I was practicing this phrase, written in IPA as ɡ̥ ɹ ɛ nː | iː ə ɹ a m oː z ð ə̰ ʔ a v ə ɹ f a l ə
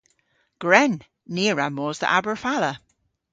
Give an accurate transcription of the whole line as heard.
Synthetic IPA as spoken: ɡ̥ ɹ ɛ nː | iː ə ɹ a m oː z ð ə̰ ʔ a b ə ɹ f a l ə